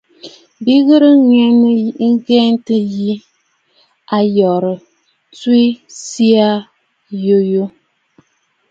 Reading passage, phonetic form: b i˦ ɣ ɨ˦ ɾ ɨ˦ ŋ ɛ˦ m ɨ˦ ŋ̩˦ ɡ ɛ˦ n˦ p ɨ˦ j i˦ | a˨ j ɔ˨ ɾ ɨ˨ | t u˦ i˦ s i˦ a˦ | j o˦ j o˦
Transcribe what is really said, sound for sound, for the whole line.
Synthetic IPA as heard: b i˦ ɣ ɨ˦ ɾ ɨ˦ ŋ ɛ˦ n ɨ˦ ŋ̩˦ ɡ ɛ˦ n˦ t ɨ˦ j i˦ | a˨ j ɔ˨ ɾ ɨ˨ | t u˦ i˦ s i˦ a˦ | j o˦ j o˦